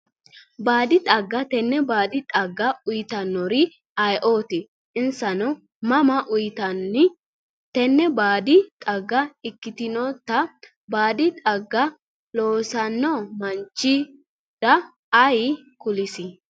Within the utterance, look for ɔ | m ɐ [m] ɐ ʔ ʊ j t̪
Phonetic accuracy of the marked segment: correct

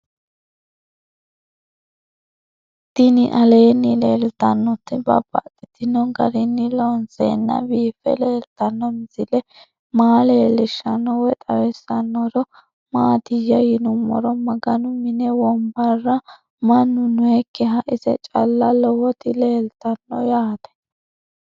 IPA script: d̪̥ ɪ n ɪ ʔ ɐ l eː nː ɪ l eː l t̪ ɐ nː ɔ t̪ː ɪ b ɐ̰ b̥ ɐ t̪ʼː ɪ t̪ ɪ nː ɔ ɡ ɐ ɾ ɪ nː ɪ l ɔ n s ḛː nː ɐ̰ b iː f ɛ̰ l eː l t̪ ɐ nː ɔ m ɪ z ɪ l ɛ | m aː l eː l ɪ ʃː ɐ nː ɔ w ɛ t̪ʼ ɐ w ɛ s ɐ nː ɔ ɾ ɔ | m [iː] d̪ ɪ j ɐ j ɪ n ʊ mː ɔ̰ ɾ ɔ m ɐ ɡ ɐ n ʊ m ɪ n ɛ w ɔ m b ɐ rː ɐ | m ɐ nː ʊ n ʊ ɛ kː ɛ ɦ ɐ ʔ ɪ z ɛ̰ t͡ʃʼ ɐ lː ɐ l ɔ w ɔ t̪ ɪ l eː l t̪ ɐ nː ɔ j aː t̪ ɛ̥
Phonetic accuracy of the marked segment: incorrect: aː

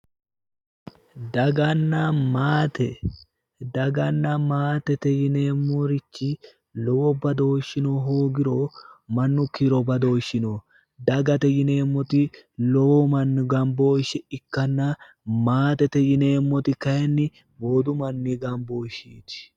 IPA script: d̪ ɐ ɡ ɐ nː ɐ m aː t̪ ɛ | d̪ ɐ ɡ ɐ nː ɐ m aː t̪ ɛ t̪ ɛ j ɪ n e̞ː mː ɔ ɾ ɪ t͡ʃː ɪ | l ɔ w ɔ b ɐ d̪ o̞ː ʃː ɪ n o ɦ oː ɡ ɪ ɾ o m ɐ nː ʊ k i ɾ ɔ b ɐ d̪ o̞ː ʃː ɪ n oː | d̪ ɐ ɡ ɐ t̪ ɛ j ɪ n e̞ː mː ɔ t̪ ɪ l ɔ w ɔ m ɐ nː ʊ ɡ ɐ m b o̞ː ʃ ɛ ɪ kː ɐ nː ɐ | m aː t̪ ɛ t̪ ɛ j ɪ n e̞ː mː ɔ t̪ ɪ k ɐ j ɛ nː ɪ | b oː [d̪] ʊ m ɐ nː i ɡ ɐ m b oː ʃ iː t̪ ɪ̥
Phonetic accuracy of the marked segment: correct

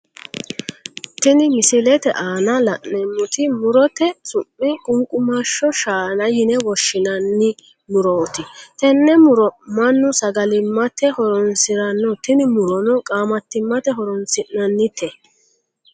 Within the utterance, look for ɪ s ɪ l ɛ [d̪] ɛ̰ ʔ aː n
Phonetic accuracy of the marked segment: incorrect: t̪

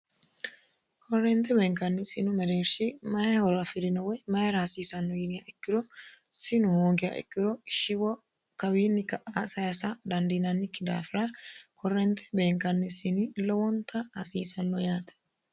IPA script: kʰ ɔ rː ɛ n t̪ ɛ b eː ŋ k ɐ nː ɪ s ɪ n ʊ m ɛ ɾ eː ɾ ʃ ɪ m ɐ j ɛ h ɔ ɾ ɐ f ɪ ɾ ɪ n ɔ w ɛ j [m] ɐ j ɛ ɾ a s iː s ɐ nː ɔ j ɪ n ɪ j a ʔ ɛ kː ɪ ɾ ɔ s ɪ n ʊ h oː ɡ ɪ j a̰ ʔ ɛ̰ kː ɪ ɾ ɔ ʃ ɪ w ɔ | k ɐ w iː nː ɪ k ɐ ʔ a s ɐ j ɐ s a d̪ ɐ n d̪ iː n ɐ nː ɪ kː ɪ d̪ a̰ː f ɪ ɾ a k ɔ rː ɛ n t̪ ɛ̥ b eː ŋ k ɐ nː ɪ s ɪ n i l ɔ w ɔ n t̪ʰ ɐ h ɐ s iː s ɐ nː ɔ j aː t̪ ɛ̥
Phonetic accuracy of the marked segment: correct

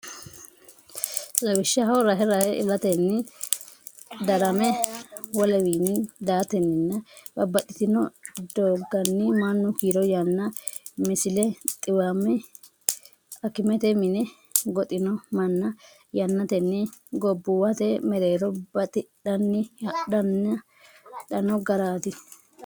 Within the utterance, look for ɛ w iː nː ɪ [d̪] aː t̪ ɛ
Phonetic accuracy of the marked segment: correct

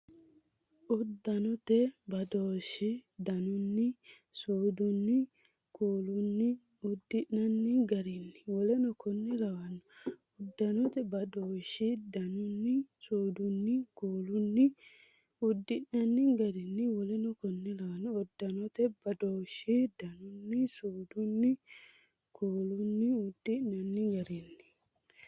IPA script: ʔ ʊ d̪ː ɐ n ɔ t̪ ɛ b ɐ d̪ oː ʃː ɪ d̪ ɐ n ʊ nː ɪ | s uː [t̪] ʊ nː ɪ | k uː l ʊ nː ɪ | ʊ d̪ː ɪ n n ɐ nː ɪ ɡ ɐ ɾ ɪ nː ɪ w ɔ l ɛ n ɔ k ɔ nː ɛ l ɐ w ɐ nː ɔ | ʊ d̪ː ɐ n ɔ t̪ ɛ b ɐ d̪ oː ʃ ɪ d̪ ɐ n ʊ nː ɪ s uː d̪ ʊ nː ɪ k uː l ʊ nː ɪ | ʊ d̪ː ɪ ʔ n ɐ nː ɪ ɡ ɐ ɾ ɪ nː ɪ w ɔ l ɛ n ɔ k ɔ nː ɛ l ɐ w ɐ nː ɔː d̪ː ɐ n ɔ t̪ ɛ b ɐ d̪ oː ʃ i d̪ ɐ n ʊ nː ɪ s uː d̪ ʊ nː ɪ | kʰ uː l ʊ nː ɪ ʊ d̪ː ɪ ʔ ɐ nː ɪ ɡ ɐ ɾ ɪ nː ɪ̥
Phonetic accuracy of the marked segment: incorrect: d̪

